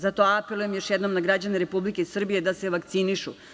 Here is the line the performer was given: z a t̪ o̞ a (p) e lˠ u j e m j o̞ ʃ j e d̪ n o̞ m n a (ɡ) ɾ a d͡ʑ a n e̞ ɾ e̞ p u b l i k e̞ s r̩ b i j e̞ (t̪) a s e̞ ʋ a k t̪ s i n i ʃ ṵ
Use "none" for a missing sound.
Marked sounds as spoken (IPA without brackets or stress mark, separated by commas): p, ɡ, d̪